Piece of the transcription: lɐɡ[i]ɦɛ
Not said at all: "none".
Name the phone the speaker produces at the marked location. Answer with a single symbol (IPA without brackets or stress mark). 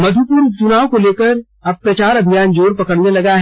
a